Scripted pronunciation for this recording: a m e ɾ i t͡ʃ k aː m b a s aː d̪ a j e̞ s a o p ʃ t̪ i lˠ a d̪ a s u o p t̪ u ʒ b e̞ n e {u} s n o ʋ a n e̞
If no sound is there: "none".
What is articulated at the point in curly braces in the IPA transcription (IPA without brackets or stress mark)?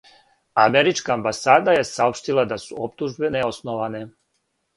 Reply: o